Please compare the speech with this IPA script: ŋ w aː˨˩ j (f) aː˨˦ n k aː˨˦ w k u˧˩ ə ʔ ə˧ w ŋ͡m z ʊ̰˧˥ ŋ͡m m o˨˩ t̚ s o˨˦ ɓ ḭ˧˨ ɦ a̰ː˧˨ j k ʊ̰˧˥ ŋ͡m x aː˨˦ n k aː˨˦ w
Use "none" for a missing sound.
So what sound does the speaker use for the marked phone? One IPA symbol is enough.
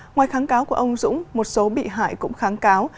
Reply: x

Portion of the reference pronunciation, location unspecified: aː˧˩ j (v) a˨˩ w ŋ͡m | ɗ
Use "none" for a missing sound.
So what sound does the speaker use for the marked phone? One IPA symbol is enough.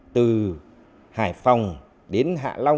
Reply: f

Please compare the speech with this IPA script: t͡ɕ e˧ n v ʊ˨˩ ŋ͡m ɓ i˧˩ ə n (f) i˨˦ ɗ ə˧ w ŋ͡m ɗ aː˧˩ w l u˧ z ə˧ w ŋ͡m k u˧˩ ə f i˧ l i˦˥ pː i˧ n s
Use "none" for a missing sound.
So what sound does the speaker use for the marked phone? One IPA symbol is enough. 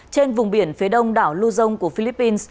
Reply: f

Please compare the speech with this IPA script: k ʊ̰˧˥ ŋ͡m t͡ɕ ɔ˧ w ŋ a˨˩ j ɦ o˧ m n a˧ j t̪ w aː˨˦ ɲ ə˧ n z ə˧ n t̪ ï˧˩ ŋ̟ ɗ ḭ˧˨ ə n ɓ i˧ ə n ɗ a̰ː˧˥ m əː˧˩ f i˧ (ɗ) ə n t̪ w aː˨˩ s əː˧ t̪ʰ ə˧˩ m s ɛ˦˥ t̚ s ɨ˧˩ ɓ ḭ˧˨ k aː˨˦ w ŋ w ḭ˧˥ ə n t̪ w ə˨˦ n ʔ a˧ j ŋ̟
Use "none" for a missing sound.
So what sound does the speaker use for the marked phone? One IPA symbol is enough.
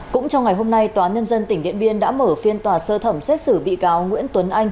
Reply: none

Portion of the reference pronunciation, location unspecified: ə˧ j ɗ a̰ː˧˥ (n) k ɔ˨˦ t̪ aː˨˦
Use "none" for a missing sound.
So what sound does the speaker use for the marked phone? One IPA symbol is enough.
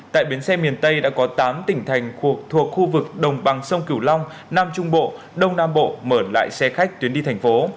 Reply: none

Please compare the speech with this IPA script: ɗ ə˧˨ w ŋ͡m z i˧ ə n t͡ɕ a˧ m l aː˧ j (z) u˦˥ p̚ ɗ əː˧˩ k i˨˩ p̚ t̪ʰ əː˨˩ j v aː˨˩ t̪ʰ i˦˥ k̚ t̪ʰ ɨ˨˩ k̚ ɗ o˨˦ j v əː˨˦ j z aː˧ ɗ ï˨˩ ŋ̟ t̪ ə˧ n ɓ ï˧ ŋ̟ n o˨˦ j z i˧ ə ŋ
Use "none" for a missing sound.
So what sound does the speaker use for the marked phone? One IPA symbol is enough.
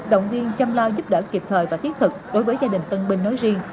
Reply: z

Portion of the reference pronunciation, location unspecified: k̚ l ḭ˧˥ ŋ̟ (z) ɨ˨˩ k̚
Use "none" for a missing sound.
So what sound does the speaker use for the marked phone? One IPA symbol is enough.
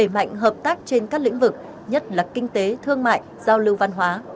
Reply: v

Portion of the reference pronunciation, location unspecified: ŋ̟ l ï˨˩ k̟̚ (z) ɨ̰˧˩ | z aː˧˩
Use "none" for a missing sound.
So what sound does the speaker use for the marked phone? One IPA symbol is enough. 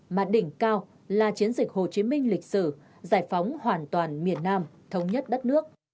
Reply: s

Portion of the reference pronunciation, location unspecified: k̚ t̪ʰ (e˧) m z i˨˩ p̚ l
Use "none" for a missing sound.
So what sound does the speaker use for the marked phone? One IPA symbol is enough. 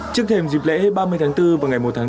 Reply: e˧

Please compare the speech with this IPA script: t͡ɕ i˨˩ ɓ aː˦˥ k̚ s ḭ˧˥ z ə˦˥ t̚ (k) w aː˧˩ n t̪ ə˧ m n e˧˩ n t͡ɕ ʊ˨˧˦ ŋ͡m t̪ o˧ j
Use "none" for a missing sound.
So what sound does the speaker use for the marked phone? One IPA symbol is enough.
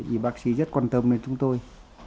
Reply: k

